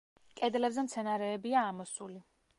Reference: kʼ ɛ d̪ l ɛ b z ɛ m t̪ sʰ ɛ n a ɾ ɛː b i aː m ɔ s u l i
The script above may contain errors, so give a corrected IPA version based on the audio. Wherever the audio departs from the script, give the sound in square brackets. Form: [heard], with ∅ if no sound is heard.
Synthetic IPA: kʼ ɛ d̪ l ɛ b z ɛ m t̪ sʰ ɛ n a ɾ ɛː b i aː m ɔ s u l i